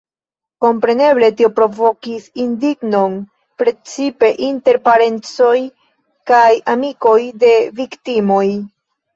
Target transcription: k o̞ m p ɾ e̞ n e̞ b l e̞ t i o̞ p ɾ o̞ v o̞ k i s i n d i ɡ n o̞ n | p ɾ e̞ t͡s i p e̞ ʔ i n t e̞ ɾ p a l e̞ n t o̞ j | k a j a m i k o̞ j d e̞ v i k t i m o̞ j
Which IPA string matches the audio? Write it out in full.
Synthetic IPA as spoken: k o̞ m p ɾ e̞ n e̞ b l e̞ t i o̞ p ɾ o̞ v o̞ k i s i n d i ɡ n o̞ n | p ɾ e̞ t͡s i p e̞ ʔ i n t e̞ ɾ p a ɾ e̞ n t͡s o̞ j | k a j a m i k o̞ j d e̞ v i k t i m o̞ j